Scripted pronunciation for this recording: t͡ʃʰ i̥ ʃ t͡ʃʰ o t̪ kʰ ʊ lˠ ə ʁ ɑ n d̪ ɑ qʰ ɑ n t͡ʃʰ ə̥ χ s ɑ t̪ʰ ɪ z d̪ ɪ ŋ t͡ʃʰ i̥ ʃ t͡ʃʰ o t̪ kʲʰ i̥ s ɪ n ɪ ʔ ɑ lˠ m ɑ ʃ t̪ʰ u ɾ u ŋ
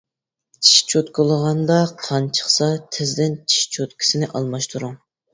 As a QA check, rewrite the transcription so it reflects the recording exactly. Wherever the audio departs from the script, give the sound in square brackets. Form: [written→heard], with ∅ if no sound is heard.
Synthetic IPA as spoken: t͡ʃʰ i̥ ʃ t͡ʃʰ o t̪ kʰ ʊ lˠ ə ʁ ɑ n d̪ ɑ qʰ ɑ n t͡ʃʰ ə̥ χ s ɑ t̪ʰ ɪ z d̪ ɪ [ŋ→n] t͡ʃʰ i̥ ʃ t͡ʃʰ o t̪ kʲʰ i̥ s ɪ n ɪ ʔ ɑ lˠ m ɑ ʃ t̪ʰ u ɾ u ŋ